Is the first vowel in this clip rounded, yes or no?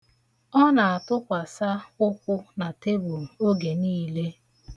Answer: yes